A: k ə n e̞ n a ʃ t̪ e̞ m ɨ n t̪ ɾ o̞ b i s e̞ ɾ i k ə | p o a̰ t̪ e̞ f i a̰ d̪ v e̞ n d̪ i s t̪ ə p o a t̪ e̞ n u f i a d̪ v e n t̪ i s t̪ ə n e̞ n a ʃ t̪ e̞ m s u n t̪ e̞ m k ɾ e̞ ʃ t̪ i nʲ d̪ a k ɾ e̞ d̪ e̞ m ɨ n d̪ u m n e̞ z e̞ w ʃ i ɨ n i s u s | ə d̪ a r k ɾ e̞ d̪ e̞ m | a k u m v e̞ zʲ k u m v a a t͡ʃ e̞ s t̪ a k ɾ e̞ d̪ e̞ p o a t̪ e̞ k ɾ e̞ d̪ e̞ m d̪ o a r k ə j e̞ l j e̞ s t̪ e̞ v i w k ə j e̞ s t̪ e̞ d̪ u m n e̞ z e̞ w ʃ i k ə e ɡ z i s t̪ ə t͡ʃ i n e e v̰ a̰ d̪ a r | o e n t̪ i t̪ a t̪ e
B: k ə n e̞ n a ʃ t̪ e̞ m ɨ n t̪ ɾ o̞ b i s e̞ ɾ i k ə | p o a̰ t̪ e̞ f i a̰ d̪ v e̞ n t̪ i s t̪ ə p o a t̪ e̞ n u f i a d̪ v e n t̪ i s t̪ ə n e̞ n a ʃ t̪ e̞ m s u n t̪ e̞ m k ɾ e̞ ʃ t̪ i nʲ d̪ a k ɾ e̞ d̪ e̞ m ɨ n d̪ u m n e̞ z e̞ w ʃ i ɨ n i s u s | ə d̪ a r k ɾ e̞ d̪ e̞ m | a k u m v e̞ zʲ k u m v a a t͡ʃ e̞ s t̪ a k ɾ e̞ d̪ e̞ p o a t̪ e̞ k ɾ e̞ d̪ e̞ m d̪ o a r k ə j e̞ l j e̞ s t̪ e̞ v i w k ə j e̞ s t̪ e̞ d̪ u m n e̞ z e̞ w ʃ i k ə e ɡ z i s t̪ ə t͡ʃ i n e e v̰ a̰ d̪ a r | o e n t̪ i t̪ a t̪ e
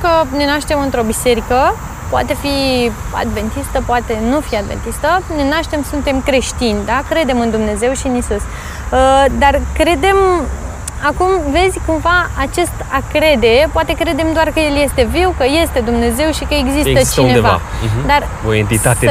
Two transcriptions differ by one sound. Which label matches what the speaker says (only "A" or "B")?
B